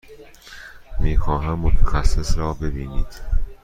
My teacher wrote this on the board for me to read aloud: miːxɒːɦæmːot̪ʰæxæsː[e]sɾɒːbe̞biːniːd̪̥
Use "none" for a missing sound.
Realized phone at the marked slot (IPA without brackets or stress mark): e